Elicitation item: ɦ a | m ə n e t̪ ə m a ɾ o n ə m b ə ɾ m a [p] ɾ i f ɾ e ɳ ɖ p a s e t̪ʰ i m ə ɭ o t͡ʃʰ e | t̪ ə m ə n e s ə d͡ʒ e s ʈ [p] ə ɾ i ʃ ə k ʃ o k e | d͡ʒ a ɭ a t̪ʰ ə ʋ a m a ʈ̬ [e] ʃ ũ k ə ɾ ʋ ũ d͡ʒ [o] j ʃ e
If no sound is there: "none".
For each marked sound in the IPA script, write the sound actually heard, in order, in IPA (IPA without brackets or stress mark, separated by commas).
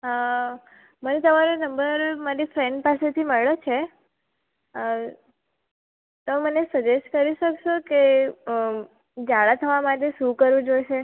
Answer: none, k, e, o